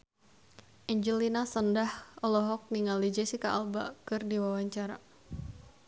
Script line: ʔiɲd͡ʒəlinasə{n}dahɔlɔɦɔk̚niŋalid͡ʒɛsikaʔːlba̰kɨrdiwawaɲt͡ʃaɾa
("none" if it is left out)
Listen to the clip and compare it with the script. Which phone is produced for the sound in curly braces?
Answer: n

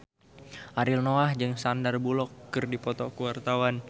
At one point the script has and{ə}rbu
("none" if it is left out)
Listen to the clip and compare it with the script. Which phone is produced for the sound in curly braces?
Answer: a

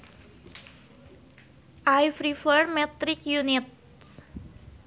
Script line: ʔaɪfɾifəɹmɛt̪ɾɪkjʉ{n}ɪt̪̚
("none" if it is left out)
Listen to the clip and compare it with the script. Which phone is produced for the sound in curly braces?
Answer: n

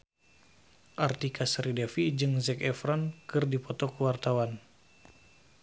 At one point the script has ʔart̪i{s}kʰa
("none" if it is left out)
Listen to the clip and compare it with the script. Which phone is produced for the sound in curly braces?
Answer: none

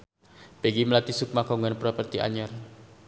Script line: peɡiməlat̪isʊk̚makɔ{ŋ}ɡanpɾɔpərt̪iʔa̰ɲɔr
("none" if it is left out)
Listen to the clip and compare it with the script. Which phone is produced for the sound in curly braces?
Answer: ŋ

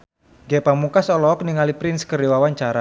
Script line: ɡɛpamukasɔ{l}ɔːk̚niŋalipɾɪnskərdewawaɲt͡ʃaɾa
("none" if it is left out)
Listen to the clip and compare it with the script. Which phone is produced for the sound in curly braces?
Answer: l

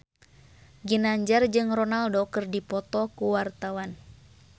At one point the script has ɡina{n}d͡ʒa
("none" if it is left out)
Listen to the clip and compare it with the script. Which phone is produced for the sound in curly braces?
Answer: ɲ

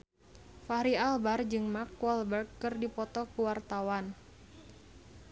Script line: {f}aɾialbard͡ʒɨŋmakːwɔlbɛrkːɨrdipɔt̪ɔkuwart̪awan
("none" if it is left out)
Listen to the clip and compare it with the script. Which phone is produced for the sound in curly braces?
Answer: f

